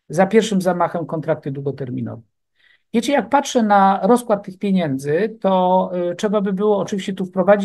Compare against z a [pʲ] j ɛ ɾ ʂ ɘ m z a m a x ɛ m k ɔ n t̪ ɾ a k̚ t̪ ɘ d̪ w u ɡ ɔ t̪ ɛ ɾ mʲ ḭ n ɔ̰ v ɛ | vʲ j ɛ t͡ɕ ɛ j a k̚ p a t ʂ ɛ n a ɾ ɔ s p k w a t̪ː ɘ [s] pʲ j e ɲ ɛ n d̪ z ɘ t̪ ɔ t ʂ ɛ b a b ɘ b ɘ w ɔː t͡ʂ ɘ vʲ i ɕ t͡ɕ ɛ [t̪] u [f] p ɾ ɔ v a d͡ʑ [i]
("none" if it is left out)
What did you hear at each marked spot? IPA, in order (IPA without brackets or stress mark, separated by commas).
pʲ, x, t̪, f, i